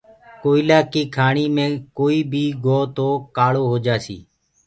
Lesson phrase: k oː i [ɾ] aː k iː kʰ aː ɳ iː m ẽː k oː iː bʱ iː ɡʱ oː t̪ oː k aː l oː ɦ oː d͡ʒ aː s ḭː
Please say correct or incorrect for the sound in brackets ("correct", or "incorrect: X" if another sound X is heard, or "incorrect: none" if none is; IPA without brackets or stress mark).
incorrect: l